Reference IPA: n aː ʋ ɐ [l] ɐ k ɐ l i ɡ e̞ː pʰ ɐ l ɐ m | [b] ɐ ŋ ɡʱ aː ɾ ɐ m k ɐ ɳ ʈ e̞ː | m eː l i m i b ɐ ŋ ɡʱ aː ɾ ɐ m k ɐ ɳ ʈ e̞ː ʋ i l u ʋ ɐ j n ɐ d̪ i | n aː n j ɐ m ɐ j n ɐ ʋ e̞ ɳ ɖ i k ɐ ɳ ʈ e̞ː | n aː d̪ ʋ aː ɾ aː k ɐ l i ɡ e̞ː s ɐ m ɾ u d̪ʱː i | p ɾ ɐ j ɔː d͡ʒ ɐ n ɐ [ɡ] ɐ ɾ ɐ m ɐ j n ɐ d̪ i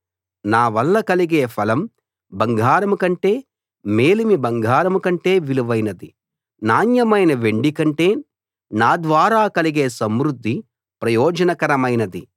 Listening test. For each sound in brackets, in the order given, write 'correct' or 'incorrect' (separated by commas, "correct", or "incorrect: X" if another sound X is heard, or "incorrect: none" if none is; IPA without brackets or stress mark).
incorrect: lː, correct, incorrect: k